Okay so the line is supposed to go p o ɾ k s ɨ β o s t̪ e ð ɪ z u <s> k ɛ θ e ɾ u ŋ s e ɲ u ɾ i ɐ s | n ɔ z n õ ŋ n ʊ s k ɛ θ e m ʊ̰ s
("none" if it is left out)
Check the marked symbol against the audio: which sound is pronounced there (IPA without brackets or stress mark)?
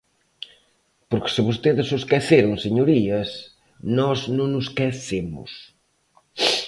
s